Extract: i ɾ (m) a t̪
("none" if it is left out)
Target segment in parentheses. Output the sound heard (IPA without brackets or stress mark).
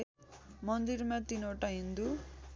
m